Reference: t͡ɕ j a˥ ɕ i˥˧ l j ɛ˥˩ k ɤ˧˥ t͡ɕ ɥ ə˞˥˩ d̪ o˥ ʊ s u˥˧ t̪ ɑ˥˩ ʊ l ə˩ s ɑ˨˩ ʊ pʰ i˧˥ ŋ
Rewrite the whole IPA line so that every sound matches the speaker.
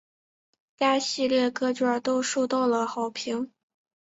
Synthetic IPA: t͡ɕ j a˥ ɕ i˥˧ l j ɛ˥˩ k ɤ˥ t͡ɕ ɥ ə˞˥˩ t̪ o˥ ʊ ʂ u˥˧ t̪ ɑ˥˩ ʊ l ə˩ x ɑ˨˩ ʊ pʰ i˧˥ ŋ